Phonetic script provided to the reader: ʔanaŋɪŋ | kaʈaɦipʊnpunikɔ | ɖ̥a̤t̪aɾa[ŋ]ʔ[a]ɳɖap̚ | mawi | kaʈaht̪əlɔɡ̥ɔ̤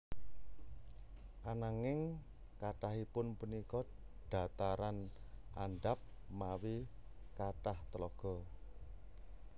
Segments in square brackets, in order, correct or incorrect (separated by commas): incorrect, correct